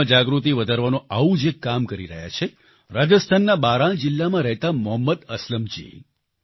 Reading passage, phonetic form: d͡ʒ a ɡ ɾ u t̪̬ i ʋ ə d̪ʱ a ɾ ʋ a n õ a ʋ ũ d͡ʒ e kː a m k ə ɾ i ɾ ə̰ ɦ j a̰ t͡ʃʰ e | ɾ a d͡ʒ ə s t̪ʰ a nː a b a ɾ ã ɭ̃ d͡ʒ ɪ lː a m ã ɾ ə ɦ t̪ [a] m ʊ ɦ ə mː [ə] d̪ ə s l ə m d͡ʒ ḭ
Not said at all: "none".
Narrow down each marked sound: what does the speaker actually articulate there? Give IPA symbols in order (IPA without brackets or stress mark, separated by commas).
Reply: a, ə